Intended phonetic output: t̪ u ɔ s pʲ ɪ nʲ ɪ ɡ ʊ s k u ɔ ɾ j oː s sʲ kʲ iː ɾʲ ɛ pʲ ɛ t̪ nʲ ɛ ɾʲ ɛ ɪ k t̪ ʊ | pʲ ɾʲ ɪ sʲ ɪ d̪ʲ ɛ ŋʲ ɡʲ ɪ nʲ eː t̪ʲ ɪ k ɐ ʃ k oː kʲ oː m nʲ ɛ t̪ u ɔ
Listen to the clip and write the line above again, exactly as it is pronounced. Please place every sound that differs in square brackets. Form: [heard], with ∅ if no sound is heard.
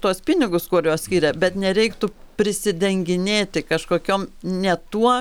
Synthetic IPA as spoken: t̪ u ɔ s pʲ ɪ nʲ ɪ ɡ ʊ s k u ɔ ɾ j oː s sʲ kʲ iː ɾʲ ɛ [bʲ] ɛ t̪ nʲ ɛ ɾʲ ɛ ɪ k t̪ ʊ | pʲ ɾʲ ɪ sʲ ɪ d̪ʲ ɛ ŋʲ ɡʲ ɪ nʲ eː t̪ʲ ɪ k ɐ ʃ k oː kʲ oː m nʲ ɛ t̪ u ɔ